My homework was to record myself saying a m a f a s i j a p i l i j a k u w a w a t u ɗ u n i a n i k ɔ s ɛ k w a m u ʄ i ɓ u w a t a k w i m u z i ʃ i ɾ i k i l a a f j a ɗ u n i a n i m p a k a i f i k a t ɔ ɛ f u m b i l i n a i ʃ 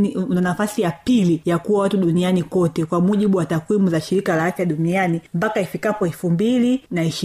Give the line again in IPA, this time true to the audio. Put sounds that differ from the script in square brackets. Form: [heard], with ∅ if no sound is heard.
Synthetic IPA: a [n] a f a s i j a p i l i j a k u w a w a t u ɗ u n i a n i k ɔ [t] ɛ k w a m u ʄ i ɓ u w a t a k w i m u z [a] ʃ i ɾ i k [a] l a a f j a ɗ u n i a n i m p a k a i f i k a [p] ɔ ɛ f u m b i l i n a i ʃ